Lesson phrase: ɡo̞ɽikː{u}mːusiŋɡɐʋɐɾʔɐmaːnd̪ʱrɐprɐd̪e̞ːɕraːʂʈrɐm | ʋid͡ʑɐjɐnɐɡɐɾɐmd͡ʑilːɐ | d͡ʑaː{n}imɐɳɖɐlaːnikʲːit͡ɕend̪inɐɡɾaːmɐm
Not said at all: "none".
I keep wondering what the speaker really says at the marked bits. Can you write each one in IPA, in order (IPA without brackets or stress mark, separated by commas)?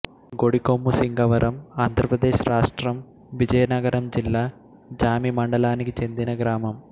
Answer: o, m